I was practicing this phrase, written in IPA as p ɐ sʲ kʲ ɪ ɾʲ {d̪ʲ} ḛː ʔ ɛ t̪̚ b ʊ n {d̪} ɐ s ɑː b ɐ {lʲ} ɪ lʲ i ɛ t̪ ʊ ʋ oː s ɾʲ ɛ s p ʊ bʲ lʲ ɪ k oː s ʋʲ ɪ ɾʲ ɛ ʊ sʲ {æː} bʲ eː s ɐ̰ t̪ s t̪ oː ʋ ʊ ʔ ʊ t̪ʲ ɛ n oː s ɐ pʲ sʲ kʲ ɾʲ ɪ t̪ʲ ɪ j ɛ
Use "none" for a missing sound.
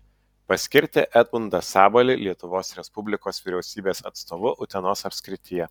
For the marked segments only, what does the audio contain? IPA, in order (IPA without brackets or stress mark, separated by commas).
t̪ʲ, d̪, lʲ, iː